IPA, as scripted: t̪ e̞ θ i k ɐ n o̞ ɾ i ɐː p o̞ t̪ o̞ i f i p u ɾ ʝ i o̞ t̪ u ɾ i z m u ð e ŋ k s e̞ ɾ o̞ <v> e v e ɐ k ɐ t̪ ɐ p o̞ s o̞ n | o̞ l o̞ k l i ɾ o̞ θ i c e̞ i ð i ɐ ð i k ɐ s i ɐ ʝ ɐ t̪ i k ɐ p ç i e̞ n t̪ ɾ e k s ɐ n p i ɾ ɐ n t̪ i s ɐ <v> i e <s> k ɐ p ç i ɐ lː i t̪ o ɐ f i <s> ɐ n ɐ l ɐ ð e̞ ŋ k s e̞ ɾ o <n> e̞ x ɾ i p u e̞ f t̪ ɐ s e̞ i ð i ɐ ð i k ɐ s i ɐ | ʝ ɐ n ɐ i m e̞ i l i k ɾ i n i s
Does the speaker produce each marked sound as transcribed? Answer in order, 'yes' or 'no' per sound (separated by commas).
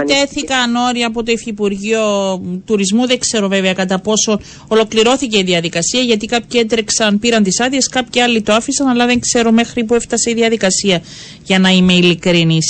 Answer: yes, no, yes, yes, no